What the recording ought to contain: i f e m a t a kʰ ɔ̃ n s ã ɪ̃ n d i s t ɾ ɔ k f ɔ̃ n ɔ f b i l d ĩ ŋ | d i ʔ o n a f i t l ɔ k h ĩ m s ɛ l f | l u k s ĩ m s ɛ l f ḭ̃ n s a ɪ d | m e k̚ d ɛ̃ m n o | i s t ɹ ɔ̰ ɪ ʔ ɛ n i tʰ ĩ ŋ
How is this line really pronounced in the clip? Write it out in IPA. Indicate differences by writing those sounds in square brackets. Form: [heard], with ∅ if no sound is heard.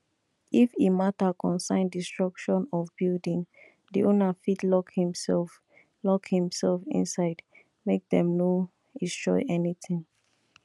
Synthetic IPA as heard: i f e m a t a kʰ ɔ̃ n s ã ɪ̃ n d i s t [ɹ] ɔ k [ʃ] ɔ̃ n ɔ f b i l d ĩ ŋ | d i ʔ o n a f i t l ɔ k h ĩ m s ɛ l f | l [ɔ] k [h] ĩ m s ɛ l f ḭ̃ n s a ɪ d | m e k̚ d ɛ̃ m n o | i s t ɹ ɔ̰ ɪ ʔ ɛ n i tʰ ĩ ŋ